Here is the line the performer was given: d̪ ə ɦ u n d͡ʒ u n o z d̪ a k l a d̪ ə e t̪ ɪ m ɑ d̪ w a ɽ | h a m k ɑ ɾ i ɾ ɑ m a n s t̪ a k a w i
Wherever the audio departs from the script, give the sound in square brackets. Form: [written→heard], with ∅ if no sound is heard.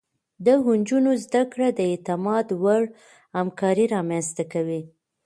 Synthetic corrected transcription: d̪ ə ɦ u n d͡ʒ u n o z d̪ a k [l→ɽ] a d̪ ə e t̪ ɪ m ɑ d̪ w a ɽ | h a m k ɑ ɾ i ɾ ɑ m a n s t̪ a k a w i